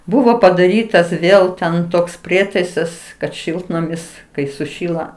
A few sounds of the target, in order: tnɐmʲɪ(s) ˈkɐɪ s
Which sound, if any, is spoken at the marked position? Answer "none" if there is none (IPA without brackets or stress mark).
s